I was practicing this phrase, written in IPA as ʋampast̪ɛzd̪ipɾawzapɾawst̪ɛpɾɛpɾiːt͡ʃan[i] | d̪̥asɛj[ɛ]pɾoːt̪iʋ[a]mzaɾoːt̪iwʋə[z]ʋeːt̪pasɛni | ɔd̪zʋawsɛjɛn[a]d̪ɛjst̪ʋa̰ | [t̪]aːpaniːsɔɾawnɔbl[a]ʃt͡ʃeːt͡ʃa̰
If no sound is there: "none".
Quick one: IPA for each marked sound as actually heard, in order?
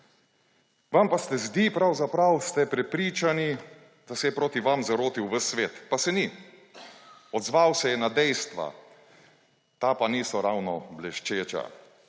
i, ɛ, a, s, a, t̪, ɛ

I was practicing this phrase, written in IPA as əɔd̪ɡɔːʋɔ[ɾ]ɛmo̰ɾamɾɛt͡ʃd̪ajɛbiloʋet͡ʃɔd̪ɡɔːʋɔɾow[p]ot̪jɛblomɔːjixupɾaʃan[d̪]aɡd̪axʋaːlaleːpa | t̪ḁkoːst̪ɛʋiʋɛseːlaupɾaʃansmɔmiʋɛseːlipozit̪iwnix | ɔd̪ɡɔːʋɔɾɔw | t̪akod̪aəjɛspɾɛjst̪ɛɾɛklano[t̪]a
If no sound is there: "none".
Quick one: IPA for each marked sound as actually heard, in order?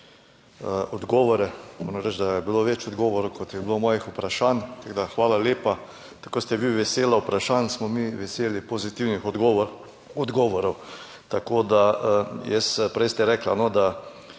ɾ, k, t̪, d̪

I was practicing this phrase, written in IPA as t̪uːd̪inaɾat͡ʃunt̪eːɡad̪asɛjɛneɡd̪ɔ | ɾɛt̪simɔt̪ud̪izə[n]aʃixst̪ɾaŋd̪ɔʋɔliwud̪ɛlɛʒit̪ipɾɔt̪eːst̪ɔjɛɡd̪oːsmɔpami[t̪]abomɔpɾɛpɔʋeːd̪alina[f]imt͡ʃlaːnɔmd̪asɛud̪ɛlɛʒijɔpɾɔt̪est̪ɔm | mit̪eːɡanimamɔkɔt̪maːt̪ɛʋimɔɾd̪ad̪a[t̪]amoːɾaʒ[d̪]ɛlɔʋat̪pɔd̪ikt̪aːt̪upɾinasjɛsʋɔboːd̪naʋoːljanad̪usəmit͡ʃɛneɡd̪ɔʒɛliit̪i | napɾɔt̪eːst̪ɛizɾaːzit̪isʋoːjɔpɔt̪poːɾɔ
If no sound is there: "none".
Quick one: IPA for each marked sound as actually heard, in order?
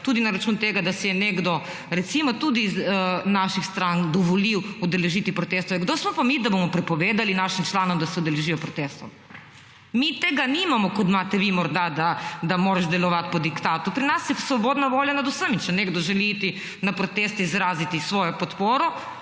n, d̪, ʃ, d̪, d̪

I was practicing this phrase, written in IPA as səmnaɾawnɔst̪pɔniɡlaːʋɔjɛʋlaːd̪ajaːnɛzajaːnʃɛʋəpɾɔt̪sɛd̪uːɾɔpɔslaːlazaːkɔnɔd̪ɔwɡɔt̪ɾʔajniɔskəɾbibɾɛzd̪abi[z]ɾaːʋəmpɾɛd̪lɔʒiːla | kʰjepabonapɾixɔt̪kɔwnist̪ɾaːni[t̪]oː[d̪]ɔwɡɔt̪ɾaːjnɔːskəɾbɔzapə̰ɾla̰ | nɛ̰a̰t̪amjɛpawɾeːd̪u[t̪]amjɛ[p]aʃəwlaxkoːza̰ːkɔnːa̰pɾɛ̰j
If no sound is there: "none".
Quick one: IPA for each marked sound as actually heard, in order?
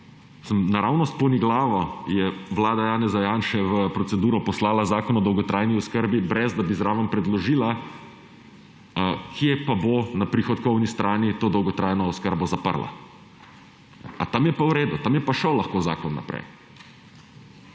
z, t̪, d̪, t̪, p

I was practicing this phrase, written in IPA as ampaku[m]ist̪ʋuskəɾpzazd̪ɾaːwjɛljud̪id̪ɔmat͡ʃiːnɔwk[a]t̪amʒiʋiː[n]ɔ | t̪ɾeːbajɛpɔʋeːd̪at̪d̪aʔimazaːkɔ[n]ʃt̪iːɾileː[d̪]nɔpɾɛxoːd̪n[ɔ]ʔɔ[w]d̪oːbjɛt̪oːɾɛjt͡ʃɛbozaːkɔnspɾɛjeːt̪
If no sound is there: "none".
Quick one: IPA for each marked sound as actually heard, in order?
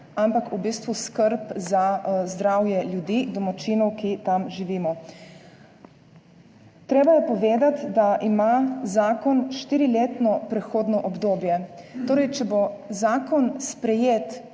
b, i, m, n, t̪, ɔ, b

